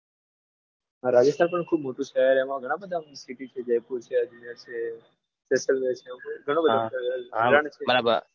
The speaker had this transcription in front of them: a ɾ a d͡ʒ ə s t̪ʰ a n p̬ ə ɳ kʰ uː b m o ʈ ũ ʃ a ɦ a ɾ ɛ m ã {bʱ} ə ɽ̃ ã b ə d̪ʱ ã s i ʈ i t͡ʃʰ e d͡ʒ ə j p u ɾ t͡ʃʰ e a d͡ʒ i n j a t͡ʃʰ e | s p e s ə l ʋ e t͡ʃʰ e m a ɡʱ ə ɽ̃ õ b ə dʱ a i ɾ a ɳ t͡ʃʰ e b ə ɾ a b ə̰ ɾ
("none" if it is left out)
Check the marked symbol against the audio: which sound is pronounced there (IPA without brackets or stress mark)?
ɡʱ